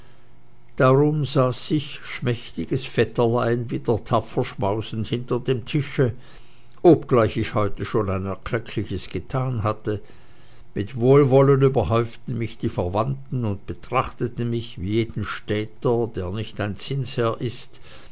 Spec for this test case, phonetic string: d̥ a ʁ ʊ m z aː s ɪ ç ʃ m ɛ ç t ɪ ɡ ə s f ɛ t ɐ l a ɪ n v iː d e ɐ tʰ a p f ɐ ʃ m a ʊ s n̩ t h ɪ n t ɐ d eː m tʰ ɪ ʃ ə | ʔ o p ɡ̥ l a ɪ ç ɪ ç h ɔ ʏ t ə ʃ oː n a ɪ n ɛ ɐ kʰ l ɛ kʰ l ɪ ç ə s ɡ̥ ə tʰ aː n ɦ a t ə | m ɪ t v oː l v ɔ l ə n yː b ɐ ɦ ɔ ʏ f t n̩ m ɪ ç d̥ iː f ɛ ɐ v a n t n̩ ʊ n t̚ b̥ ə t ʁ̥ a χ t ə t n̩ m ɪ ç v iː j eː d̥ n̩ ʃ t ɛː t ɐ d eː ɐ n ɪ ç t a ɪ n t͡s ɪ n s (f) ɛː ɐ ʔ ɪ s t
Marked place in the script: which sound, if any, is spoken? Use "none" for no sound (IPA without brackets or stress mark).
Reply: h